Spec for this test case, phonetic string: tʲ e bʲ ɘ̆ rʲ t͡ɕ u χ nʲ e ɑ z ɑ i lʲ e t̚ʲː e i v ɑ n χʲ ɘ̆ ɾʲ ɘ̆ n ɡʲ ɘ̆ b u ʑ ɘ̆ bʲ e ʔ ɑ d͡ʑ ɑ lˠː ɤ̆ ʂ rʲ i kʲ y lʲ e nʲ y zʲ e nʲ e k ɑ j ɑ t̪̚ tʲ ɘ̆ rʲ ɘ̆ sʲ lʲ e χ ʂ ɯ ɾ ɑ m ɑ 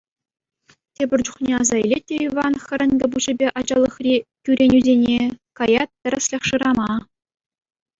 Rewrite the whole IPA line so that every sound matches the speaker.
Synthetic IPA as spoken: tʲ e bʲ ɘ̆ rʲ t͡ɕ u χ nʲ e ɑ z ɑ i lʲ e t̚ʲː e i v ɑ n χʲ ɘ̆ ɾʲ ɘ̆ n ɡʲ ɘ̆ b u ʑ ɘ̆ bʲ e ʔ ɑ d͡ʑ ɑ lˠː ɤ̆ χ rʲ i kʲ y ɾʲ e nʲ y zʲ e nʲ e k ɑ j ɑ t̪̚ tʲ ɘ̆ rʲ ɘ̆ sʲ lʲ e χ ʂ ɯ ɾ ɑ m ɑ